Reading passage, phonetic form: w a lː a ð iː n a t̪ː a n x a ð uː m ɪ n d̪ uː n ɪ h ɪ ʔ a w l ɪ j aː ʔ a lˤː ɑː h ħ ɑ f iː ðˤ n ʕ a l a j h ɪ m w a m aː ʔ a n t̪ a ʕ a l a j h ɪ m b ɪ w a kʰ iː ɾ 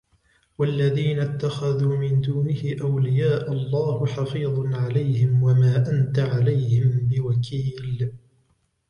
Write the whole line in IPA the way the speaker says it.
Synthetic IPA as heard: w a lː a ð iː n a t̪ː a x a ð uː m ɪ n d̪ uː n ɪ h ɪ ʔ a w l ɪ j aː ʔ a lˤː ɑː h ħ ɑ f iː ðˤ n ʕ a l a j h ɪ m w a m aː ʔ a n t̪ a ʕ a l a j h ɪ m b ɪ w a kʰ iː l